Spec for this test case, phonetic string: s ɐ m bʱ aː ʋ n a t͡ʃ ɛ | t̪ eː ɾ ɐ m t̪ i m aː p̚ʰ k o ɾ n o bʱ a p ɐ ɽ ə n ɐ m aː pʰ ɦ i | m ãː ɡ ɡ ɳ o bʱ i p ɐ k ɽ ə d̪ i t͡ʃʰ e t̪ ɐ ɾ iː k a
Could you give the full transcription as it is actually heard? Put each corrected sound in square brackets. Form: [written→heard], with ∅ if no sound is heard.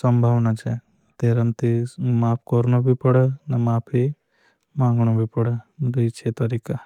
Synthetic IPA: s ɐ m bʱ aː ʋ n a t͡ʃ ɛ | t̪ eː ɾ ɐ m t̪ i m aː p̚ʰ k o ɾ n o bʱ [a→i] p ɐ ɽ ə n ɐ m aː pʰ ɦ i | m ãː [ɡ→ŋ] ɡ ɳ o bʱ i p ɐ [k→∅] ɽ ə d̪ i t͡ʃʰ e t̪ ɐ ɾ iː k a